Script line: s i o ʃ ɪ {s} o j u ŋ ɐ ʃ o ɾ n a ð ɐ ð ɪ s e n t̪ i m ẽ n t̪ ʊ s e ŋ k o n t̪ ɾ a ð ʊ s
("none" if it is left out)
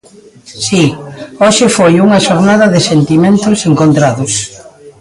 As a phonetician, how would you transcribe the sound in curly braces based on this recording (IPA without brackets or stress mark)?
f